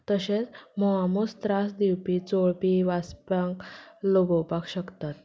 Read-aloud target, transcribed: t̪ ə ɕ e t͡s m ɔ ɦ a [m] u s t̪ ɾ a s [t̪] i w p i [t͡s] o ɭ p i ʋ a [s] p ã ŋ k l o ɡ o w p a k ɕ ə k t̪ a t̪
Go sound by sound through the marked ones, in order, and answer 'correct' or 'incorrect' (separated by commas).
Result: correct, incorrect, correct, correct